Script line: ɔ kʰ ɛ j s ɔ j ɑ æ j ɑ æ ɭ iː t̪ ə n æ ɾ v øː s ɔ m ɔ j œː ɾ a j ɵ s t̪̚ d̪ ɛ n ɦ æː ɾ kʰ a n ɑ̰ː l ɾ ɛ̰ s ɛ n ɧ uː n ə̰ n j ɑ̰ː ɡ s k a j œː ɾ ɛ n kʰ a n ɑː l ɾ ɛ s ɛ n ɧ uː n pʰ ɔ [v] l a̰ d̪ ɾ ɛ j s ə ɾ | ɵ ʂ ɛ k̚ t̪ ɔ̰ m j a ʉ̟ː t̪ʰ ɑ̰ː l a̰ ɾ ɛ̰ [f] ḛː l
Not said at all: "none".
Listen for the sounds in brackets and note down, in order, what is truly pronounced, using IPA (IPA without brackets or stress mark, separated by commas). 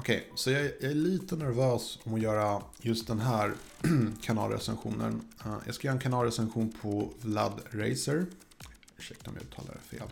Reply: v, f